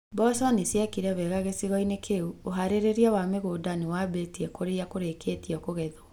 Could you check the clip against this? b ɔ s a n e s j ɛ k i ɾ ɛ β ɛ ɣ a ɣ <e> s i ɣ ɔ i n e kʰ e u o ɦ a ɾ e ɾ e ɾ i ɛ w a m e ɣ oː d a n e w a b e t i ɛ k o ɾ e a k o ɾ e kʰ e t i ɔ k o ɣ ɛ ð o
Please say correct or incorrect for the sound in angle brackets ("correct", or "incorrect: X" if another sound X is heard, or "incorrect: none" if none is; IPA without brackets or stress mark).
correct